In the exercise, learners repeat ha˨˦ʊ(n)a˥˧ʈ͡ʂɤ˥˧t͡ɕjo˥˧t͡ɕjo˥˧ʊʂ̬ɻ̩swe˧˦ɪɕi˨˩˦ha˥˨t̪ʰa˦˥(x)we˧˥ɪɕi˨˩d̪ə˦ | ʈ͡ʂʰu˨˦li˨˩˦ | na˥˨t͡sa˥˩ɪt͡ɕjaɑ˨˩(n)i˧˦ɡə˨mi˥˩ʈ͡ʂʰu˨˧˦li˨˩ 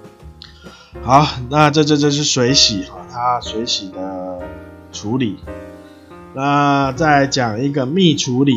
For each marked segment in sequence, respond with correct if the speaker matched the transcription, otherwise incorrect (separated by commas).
correct, incorrect, incorrect